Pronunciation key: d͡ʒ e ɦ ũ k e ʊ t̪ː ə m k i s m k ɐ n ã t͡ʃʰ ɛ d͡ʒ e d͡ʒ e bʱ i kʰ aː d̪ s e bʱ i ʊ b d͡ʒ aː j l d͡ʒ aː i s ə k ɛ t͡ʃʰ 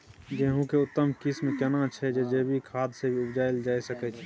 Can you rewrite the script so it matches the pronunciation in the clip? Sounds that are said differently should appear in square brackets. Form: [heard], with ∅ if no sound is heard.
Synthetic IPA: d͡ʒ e ɦ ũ k e ʊ t̪ː ə m k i s m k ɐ n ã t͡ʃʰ ɛ d͡ʒ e d͡ʒ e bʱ i kʰ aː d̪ s e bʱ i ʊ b d͡ʒ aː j l d͡ʒ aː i s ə k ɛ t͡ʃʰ